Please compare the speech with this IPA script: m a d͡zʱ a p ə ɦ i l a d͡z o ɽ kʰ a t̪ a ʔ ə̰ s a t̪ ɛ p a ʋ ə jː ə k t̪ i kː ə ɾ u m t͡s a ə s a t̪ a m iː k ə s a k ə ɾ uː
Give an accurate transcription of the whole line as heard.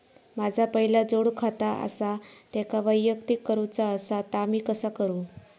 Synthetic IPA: m a d͡zʱ a p ə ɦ i l a d͡z o ɽ kʰ a t̪ a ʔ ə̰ s a t̪ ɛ k a ʋ ə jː ə k t̪ i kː ə ɾ u t͡s a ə s a t̪ a m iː k ə s a k ə ɾ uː